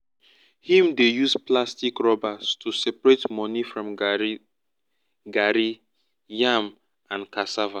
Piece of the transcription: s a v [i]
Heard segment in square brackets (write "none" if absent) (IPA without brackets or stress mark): a